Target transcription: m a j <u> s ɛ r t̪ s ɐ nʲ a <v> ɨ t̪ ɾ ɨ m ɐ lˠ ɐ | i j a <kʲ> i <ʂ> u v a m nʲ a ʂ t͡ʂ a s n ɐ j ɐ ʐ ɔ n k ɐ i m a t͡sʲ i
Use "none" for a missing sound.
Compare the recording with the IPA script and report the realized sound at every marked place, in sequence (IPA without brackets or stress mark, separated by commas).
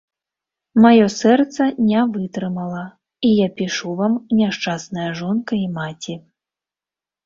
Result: ɔ, v, pʲ, ʂ